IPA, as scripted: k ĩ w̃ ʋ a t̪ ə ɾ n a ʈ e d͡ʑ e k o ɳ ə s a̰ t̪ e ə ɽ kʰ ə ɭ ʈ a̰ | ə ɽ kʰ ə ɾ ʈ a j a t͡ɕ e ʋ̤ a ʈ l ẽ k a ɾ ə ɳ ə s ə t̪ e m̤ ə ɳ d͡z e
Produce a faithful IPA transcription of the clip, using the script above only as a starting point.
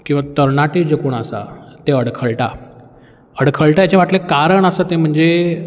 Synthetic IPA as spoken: k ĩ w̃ ʋ a t̪ ə ɾ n a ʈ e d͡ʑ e k o ɳ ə s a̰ t̪ e ə ɽ kʰ ə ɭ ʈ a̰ | ə ɽ kʰ ə ɭ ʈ a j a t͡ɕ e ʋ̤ a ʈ l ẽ k a ɾ ə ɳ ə s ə t̪ e m̤ ə ɳ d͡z e